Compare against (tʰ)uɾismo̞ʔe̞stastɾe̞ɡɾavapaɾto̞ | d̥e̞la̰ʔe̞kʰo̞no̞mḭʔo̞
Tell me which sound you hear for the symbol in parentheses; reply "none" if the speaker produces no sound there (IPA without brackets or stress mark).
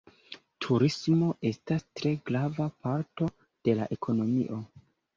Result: tʰ